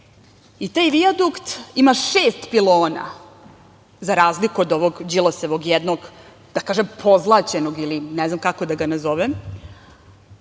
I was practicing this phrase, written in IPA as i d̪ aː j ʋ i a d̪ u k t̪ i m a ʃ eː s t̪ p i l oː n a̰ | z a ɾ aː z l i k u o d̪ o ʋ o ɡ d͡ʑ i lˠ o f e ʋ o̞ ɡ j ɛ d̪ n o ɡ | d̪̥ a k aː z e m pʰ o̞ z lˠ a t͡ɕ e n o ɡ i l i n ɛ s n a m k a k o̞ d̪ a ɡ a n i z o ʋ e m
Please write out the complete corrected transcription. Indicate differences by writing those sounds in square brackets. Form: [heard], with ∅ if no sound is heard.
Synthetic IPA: i [t̪] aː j ʋ i a d̪ u k t̪ i m a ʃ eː s t̪ p i l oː n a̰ | z a ɾ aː z l i k u o d̪ o ʋ o ɡ d͡ʑ i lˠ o [s] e ʋ o̞ ɡ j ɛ d̪ n o ɡ | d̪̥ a k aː [ʒ] e m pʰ o̞ z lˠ a t͡ɕ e n o ɡ i l i n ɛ [z] n a m k a k o̞ d̪ a ɡ a n [a] z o ʋ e m

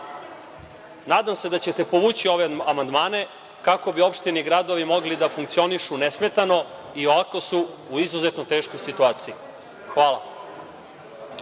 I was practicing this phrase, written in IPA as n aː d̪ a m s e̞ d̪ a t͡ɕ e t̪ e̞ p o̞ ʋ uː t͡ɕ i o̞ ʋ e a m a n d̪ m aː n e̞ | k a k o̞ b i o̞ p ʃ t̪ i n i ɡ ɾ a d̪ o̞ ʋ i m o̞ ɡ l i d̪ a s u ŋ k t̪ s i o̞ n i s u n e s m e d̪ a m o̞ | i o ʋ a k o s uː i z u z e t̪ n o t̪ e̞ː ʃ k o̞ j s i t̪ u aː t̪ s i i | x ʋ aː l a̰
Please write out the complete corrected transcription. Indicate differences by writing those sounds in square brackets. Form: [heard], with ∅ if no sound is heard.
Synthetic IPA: n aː d̪ a m s e̞ d̪ a t͡ɕ e t̪ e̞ p o̞ ʋ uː t͡ɕ i o̞ ʋ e a m a n d̪ m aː n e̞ | k a k o̞ b i o̞ p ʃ t̪ i n i ɡ ɾ a d̪ o̞ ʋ i m o̞ ɡ l i d̪ a [f] u ŋ k t̪ s i o̞ n i [ʃ] u n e s m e [t̪] a [n] o̞ | i o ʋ a k o s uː i z u z e t̪ n o t̪ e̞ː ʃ k o̞ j s i t̪ u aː t̪ s i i | x ʋ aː l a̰

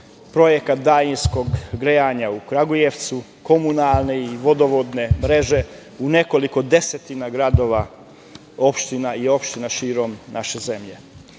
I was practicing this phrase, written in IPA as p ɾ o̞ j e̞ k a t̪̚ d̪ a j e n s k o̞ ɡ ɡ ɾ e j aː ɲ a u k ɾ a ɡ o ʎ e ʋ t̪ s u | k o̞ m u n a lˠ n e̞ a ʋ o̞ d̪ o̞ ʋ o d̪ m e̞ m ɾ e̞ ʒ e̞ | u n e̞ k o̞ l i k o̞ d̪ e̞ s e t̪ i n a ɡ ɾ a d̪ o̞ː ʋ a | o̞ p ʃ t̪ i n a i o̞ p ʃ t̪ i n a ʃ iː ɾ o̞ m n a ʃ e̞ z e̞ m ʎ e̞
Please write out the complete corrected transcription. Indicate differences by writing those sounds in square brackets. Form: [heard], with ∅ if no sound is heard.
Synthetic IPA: p ɾ o̞ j e̞ k a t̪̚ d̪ a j [i] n s k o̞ ɡ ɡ ɾ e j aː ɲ a u k ɾ a ɡ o [j] e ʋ t̪ s u | k o̞ m u n a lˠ n e̞ [i] ʋ o̞ d̪ o̞ ʋ o d̪ [n] e̞ m ɾ e̞ ʒ e̞ | u n e̞ k o̞ l i k o̞ d̪ e̞ s e t̪ i n a ɡ ɾ a d̪ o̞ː ʋ a | o̞ p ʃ t̪ i n a i o̞ p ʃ t̪ i n a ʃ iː ɾ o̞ m n a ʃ e̞ z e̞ m ʎ e̞

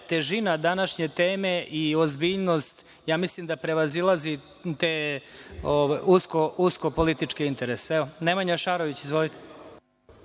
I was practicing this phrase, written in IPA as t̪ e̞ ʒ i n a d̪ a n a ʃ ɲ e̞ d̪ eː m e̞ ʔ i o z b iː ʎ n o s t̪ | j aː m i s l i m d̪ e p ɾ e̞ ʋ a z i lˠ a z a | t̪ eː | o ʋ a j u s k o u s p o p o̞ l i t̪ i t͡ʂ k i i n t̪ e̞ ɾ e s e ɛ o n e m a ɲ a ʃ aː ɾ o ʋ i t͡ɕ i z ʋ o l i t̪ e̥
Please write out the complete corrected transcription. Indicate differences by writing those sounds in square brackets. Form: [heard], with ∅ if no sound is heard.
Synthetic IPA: t̪ e̞ ʒ i n a d̪ a n a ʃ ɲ e̞ [t̪] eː m e̞ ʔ i o z b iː ʎ n o s t̪ | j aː m i s l i m d̪ [a] p ɾ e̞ ʋ a z i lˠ a z [i] | t̪ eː | o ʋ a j u s k o u s [k] o p o̞ l i t̪ i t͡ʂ k i i n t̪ e̞ ɾ e s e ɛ o n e m a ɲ a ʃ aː ɾ o ʋ i t͡ɕ i z ʋ o l i t̪ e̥

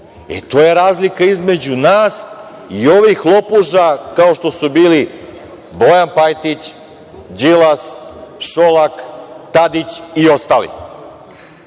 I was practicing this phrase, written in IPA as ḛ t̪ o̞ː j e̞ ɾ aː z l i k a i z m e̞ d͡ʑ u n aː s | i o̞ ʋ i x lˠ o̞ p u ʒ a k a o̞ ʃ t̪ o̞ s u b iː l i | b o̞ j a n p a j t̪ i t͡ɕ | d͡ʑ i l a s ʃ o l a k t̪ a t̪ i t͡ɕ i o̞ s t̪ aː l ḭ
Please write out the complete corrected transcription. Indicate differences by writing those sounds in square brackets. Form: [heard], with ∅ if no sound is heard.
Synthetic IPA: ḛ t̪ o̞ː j e̞ ɾ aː z l i k a i z m e̞ d͡ʑ u n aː s | i o̞ ʋ i x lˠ o̞ p u ʒ a k a o̞ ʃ t̪ o̞ s u b iː l i | b o̞ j a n p a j t̪ i t͡ɕ | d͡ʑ i l a s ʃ o l a k t̪ a [d̪] i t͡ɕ i o̞ s t̪ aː l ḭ

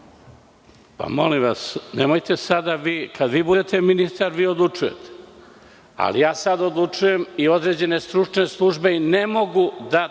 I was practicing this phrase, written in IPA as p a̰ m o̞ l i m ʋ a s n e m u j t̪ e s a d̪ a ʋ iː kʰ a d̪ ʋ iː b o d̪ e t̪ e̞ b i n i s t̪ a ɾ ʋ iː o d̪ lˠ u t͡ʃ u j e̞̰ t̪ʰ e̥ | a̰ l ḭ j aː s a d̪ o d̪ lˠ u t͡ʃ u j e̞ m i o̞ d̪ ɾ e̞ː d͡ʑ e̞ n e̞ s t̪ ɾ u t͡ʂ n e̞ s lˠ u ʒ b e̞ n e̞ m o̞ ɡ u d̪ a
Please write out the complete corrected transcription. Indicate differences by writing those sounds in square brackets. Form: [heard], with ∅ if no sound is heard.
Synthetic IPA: p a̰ m o̞ l i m ʋ a s n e m [o] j t̪ e s a d̪ a ʋ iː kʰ a d̪ ʋ iː b [u] d̪ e t̪ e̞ [m] i n i s t̪ a ɾ ʋ iː o d̪ lˠ u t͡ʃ u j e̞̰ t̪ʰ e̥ | a̰ l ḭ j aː s a d̪ o d̪ lˠ u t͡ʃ u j e̞ m i o̞ d̪ ɾ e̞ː d͡ʑ e̞ n e̞ s t̪ ɾ u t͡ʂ n e̞ s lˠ u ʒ b e̞ n e̞ m o̞ ɡ u d̪ a

